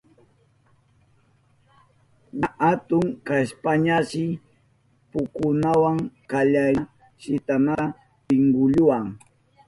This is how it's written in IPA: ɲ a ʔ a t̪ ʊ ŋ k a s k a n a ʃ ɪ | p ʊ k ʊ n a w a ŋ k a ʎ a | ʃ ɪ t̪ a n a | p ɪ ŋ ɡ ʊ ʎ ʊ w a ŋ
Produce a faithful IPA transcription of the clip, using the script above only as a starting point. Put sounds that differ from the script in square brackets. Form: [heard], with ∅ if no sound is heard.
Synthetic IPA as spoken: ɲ a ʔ a t̪ ʊ ŋ k a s [p] a [ɲ] a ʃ ɪ | p ʊ k ʊ n a w a ŋ k a ʎ a | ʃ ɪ t̪ a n a | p ɪ ŋ ɡ ʊ ʎ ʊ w a ŋ